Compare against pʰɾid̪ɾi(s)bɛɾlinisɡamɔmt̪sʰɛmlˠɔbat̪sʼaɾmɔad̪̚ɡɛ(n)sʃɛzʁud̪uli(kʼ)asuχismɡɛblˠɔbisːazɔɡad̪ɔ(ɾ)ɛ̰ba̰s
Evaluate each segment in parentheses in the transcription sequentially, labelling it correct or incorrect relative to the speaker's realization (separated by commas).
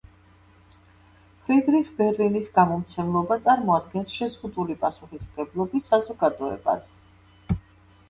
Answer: incorrect, correct, incorrect, incorrect